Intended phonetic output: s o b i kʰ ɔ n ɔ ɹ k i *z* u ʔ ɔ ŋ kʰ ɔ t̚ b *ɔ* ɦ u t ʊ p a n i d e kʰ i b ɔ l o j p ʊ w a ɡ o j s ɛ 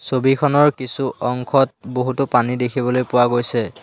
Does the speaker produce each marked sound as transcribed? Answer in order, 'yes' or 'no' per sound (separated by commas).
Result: no, no